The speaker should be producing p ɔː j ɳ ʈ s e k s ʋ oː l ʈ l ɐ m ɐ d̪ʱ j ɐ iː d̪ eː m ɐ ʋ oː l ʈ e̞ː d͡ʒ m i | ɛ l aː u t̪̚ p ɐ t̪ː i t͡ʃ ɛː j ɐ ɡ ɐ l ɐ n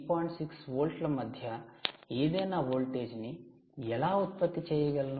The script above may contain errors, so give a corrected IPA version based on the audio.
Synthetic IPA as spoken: p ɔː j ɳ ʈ s i k s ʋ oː l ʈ l ɐ m ɐ d̪ʱ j ɐ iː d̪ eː n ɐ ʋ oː l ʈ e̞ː d͡ʒ n i | ɛ l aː u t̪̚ p ɐ t̪ː i t͡ʃ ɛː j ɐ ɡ ɐ l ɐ n

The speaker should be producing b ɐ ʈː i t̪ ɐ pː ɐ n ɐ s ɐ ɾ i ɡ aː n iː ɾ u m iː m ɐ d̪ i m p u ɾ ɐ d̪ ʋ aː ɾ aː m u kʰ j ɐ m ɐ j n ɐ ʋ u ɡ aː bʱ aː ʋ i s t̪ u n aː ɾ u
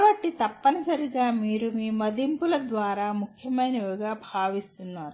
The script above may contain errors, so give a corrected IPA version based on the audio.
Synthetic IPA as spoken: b ɐ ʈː i t̪ ɐ pː ɐ n ɐ s ɐ ɾ i ɡ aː m iː ɾ u m iː m ɐ d̪ i m p u l ɐ d̪ ʋ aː ɾ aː m u kʰ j ɐ m ɐ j n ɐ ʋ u ɡ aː bʱ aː ʋ i s t̪ u nː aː ɾ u

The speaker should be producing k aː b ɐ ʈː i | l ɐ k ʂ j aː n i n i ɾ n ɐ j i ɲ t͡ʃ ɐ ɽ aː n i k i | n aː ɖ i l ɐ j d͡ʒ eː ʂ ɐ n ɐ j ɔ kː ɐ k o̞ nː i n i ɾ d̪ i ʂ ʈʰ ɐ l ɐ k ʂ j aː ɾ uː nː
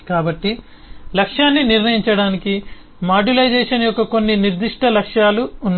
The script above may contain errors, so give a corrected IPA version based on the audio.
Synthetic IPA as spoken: k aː b ɐ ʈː i | l ɐ k ʂ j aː nː i n i ɾ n ɐ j i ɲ t͡ʃ ɐ ɽ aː n i k i | m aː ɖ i l ɐ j d͡ʒ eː ʂ ɐ n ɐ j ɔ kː ɐ k o̞ nː i n i ɾ d̪ i ʂ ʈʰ ɐ l ɐ k ʂ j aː l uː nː

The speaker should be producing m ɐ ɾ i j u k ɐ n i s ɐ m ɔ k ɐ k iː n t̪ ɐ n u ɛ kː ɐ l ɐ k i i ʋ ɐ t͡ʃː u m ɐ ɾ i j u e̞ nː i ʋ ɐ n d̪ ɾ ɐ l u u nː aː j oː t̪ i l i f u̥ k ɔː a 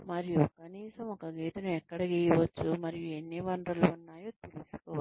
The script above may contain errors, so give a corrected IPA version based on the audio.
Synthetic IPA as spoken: m ɐ ɾ i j u k ɐ n iː s ɐ m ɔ k ɐ ɡ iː t̪ ɐ n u ɛ kː ɐ ɽ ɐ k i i ʋ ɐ t͡ʃː u m ɐ ɾ i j u e̞ nː i ʋ ɐ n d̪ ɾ ɐ l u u nː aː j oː t̪ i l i s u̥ k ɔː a

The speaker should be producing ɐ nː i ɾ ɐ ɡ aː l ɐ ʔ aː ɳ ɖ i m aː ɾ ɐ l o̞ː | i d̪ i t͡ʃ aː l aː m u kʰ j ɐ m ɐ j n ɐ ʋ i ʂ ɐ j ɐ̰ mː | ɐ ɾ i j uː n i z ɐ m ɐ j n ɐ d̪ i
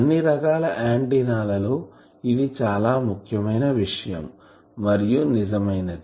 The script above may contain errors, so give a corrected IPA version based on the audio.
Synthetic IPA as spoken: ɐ nː i ɾ ɐ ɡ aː l ɐ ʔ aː ɳ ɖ i n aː l ɐ l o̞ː | i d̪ i t͡ʃ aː l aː m u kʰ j ɐ m ɐ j n ɐ ʋ i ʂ ɐ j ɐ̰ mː | ɐ ɾ i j u n i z ɐ m ɐ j n ɐ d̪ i

